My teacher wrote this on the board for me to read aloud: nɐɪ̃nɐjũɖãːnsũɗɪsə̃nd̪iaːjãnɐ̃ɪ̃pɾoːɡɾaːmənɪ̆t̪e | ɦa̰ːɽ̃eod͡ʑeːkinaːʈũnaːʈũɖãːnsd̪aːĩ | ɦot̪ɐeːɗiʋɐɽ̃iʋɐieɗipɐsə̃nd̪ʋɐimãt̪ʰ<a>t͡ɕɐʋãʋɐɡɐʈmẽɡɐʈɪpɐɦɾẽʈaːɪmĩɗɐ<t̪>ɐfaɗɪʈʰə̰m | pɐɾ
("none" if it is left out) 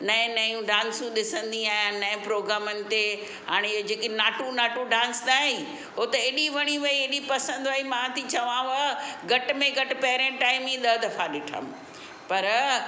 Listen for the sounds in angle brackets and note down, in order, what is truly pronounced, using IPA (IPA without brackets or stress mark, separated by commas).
i, d̪